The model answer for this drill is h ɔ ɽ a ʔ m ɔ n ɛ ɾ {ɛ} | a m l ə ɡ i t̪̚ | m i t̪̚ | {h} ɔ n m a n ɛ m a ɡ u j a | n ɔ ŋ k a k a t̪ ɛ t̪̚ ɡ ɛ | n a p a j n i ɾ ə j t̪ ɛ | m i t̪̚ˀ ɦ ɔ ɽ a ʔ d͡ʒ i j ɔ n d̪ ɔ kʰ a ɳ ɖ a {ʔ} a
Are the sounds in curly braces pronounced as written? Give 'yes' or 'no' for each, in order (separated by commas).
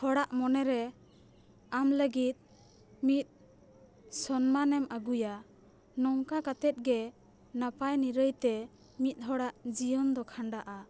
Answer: yes, no, yes